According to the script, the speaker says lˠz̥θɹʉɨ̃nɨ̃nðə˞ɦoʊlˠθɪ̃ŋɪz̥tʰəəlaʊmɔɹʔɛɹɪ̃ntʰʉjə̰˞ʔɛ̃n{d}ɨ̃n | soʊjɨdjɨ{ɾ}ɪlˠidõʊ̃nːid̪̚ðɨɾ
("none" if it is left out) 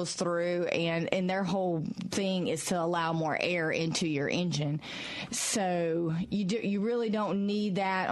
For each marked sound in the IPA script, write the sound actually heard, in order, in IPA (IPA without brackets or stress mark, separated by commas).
d͡ʒ, ɹ